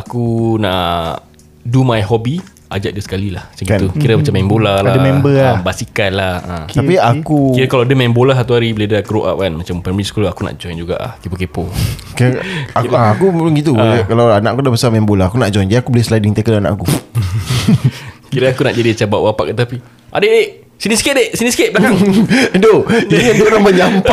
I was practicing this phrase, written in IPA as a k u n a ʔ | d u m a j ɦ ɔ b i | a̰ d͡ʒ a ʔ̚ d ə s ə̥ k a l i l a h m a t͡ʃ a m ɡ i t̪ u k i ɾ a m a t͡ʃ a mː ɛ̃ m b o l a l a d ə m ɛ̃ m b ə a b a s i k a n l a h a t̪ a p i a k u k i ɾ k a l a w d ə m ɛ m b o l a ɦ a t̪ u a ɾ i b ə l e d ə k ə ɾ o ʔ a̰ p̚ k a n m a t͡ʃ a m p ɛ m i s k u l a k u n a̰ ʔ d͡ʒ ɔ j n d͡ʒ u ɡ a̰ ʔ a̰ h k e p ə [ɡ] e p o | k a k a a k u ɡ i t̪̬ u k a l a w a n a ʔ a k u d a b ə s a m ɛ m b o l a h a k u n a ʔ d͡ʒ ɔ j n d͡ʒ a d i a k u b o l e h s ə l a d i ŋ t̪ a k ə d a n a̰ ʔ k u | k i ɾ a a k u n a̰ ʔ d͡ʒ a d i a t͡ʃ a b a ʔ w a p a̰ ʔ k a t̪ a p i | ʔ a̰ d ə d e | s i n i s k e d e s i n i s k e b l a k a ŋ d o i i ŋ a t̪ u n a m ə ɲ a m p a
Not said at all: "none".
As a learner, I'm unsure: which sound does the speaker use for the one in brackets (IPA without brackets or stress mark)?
k